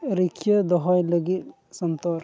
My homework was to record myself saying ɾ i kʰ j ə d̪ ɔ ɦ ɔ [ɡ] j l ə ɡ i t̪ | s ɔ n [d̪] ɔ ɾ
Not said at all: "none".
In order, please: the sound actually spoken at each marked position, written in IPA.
none, t̪

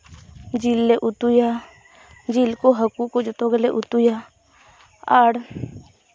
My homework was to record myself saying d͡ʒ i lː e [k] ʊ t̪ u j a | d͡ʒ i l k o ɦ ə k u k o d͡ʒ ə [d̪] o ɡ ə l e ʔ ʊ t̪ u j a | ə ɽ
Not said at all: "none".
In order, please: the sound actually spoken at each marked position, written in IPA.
ʔ, t̪

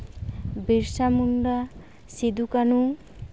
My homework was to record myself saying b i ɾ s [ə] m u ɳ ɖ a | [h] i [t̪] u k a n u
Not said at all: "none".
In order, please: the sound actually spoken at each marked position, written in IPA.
a, s, d̪

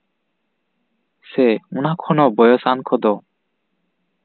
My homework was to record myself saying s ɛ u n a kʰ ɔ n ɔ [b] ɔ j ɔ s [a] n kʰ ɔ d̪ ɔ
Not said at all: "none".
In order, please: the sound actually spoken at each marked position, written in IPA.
b, a

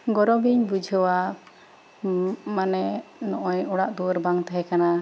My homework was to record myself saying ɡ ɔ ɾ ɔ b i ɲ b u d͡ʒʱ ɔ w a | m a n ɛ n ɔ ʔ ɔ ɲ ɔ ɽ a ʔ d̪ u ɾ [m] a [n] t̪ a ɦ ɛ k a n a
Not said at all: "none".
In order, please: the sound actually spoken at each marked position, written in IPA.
b, ŋ

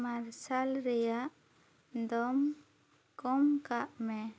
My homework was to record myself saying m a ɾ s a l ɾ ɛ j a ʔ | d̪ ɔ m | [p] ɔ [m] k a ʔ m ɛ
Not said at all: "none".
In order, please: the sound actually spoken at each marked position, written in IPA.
k, m

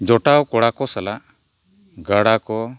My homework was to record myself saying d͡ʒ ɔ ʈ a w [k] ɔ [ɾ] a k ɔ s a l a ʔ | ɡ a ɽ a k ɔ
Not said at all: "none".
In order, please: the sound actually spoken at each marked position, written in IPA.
k, ɽ

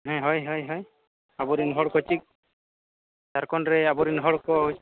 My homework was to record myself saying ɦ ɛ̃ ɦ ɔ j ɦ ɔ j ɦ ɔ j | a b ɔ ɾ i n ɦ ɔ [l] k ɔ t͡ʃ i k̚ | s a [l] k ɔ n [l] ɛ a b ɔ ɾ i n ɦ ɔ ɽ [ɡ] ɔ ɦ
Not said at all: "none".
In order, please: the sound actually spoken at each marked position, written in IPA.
ɽ, ɾ, ɾ, k

